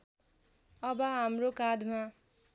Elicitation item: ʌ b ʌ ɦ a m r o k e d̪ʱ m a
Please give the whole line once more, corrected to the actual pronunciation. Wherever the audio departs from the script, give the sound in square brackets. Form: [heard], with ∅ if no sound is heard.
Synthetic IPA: ʌ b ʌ ɦ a m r o k [a] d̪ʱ m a